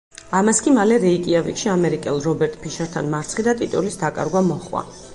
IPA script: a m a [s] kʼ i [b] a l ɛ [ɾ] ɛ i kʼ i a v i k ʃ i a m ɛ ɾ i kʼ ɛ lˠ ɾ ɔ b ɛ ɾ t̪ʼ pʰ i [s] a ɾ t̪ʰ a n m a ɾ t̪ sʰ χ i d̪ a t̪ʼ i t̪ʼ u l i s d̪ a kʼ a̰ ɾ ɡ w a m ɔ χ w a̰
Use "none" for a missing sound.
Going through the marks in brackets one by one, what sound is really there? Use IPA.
s, m, ɾ, ʃ

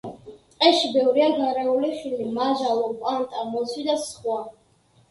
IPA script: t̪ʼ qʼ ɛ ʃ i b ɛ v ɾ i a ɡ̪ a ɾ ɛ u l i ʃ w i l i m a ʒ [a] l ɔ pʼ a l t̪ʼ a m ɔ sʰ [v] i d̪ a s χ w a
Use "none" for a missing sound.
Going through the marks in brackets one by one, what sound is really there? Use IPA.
a, w

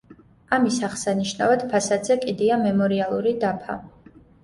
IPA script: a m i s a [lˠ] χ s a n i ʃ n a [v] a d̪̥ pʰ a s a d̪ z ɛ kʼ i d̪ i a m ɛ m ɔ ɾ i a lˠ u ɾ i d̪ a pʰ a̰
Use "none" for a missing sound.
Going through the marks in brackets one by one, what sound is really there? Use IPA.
none, v

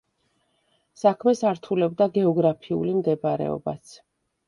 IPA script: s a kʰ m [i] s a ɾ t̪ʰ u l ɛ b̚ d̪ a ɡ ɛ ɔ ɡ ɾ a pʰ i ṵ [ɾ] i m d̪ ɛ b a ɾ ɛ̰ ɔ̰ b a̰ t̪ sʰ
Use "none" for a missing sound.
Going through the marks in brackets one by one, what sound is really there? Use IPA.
ɛ, l

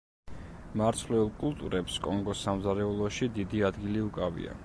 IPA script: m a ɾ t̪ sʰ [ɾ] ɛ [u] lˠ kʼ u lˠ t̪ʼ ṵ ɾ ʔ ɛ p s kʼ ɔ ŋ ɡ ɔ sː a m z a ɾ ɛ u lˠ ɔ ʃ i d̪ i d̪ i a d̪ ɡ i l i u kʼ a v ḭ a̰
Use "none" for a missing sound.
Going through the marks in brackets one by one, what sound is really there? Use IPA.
l, u

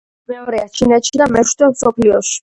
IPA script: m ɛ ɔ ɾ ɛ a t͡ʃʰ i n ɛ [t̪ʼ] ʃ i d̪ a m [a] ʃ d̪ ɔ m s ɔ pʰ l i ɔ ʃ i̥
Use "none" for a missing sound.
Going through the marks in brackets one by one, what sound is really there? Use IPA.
t̪, ɛ

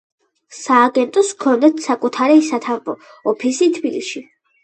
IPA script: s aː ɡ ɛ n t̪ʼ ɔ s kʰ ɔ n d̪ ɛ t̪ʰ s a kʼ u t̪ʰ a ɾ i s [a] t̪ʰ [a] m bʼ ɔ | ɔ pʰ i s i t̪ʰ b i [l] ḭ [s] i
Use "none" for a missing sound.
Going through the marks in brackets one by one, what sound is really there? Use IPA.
a, a, l, ʃ

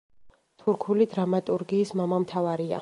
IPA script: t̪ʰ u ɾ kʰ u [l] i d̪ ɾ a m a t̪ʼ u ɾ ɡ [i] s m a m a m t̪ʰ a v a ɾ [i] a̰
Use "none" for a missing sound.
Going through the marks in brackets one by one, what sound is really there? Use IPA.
l, iː, i

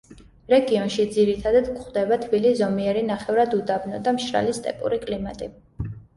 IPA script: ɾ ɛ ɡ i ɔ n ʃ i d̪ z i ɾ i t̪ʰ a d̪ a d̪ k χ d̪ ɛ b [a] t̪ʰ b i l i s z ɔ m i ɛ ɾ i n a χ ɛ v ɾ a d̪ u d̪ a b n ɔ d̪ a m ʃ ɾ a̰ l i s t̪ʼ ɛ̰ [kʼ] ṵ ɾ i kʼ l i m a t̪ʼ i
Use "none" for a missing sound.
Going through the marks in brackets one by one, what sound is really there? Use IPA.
a, pʼ

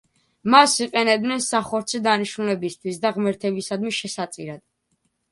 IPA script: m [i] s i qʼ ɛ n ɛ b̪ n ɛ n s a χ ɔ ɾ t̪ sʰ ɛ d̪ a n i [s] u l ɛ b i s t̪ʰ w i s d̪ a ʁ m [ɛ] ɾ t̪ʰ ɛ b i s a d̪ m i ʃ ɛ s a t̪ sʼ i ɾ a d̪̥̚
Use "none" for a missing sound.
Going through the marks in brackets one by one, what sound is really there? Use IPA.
a, ʃ, ɛ

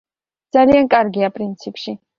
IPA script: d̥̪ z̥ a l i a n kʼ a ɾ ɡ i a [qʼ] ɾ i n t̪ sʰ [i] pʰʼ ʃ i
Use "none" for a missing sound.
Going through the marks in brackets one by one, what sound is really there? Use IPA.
pʼ, i

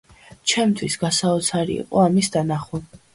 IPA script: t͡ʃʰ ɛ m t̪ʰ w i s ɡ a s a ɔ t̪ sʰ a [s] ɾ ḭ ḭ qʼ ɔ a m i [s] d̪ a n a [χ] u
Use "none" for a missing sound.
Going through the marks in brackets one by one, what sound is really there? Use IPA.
none, s, χ

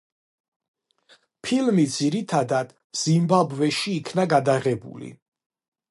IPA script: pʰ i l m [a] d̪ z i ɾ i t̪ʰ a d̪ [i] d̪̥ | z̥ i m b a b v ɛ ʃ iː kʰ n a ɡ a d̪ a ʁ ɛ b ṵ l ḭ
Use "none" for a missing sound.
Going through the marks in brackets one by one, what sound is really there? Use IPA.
i, a

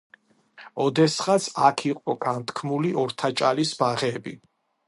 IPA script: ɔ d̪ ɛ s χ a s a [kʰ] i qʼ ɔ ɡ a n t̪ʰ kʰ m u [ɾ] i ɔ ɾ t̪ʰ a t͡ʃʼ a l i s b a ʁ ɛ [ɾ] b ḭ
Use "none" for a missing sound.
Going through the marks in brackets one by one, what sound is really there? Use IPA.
kʰ, l, none

